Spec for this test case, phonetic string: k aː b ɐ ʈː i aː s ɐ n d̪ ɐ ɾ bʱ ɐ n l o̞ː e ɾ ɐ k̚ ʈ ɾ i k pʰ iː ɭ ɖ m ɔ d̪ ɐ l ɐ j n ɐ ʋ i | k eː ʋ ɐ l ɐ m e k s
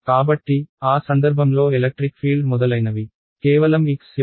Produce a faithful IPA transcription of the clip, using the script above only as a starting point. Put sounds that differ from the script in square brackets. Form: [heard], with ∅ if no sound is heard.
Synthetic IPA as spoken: k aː b ɐ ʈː i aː s ɐ n d̪ ɐ ɾ bʱ ɐ [m] l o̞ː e [l] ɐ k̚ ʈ ɾ i k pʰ iː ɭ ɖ m ɔ d̪ ɐ l ɐ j n ɐ ʋ i | k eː ʋ ɐ l ɐ m [i] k s